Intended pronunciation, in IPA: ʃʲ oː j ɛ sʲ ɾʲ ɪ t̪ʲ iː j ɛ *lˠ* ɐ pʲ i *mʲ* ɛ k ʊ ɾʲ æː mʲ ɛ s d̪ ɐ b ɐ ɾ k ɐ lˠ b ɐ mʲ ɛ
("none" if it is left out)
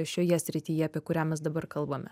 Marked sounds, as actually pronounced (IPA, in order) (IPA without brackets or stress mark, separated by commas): none, none